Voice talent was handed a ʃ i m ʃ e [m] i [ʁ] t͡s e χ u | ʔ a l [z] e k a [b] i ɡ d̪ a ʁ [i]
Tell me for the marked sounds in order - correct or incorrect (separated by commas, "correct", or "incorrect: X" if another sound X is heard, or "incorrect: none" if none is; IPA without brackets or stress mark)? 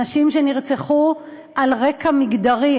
incorrect: n, correct, incorrect: ʁ, incorrect: m, correct